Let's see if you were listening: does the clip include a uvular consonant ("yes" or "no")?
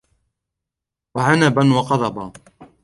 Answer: yes